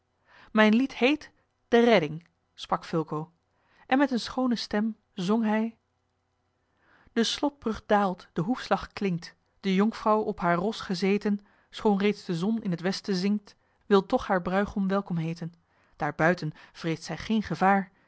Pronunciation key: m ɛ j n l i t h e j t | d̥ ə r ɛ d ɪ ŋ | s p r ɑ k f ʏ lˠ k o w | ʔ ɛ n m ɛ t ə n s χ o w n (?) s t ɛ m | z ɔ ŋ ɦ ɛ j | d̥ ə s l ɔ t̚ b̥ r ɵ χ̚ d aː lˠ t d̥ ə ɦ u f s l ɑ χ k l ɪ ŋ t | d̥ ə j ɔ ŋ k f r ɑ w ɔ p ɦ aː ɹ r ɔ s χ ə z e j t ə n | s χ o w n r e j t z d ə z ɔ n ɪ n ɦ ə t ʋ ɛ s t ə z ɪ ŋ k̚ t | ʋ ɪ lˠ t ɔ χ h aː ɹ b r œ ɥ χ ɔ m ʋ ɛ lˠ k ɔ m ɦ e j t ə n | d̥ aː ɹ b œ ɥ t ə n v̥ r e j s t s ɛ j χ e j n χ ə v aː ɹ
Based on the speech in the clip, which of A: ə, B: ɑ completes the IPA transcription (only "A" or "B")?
A